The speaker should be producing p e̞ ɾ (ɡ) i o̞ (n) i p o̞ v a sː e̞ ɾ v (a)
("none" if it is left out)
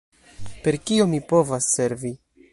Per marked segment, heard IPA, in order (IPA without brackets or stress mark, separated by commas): k, m, i